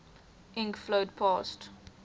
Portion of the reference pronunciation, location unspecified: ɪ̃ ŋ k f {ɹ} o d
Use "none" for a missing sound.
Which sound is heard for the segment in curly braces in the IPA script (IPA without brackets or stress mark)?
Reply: l